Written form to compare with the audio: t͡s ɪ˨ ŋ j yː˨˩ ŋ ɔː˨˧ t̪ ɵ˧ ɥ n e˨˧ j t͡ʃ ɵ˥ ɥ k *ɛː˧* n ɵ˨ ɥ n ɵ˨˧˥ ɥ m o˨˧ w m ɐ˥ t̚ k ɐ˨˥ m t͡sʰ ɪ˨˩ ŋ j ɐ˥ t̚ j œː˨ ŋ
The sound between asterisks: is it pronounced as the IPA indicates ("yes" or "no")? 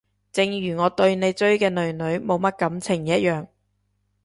yes